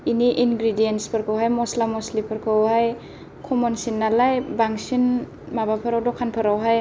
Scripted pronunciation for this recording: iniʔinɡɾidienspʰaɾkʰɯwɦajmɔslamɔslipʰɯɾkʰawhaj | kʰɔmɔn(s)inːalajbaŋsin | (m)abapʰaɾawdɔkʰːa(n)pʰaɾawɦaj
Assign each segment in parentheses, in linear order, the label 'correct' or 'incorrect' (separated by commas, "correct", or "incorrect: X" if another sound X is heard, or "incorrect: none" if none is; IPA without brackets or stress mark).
correct, correct, correct